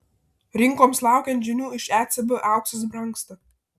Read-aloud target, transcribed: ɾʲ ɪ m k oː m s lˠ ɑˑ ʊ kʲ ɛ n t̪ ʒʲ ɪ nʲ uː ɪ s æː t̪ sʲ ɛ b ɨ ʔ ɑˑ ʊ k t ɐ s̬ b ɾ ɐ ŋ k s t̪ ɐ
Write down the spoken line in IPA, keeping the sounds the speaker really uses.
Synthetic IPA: ɾʲ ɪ ŋ k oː m s lˠ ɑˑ ʊ kʲ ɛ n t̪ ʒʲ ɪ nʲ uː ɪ ʃ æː t̪ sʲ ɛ b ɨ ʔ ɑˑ ʊ k s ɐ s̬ b ɾ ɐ ŋ k s t̪ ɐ